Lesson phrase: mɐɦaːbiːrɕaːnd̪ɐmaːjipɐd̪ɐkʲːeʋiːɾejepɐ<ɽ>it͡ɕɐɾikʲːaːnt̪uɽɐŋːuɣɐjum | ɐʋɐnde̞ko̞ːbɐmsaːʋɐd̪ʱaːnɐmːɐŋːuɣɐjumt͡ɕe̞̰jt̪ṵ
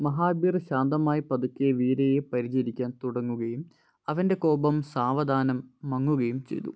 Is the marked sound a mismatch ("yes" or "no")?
yes